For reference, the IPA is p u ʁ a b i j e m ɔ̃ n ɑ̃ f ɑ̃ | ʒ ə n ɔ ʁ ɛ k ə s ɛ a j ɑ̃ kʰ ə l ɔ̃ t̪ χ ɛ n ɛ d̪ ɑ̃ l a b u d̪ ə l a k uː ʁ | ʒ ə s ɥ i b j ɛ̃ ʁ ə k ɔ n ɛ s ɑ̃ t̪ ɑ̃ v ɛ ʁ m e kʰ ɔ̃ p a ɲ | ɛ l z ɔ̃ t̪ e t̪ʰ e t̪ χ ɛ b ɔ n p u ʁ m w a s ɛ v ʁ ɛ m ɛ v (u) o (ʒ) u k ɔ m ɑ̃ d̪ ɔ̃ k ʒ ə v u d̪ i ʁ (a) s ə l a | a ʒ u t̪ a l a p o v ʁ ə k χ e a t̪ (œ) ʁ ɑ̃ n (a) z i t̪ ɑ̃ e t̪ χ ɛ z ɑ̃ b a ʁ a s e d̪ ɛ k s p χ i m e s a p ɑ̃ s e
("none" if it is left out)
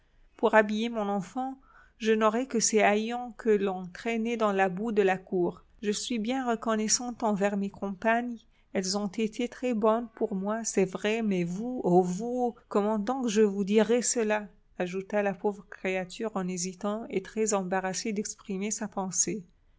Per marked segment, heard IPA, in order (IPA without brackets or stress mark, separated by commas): u, v, ɛ, y, e